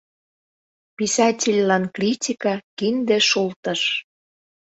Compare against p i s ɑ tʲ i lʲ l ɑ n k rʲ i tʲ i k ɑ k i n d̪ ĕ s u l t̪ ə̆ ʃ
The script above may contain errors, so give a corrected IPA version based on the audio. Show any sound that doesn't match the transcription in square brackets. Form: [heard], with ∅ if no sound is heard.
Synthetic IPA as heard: p i s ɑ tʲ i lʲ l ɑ n k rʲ i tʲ i k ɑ k i n d̪ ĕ [ʃ] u l t̪ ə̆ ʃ